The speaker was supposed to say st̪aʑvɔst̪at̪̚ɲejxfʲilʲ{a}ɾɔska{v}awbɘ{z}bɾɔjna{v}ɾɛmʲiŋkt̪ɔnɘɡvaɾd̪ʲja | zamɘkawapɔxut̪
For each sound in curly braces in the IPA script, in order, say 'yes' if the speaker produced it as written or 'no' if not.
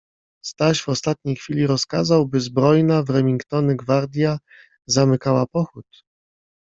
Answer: no, no, yes, yes

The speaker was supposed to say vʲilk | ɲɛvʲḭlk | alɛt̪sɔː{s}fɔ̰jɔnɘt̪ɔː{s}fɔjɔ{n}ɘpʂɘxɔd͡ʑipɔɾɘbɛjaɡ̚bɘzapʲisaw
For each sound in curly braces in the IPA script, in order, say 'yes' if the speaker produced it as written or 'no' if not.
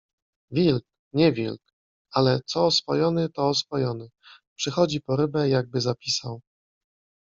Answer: yes, yes, yes

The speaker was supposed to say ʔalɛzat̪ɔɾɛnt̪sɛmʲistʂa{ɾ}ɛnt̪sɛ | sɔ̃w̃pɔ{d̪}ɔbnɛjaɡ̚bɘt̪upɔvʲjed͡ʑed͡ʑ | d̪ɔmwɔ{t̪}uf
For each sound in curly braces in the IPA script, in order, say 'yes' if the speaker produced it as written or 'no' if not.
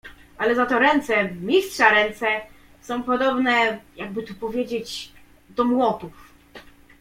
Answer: yes, yes, yes

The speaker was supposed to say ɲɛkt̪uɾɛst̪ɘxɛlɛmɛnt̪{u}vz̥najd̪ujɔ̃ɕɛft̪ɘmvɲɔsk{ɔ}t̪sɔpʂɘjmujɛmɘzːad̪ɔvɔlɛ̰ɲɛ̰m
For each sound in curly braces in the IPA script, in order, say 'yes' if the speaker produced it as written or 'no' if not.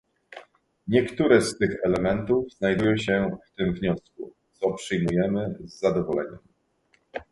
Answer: yes, no

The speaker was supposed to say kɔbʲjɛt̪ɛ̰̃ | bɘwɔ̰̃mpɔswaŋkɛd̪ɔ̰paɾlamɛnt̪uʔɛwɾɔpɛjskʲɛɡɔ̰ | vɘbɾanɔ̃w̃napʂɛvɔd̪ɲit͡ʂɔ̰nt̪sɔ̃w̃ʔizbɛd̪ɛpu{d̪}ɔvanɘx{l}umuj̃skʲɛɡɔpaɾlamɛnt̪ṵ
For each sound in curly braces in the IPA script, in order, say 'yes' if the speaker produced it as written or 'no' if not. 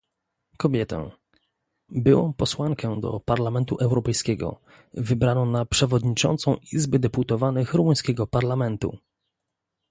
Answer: no, no

